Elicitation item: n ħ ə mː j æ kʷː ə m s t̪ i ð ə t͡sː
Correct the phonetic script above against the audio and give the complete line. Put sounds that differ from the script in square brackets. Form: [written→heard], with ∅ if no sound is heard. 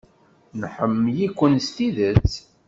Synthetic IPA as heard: n ħ ə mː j [æ→i] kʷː ə [m→n] s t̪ i ð ə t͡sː

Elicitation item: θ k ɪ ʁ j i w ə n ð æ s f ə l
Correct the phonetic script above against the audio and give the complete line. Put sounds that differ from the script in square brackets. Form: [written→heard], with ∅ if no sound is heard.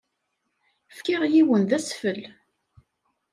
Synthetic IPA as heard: [θ→f] k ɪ ʁ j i w ə n ð æ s f ə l

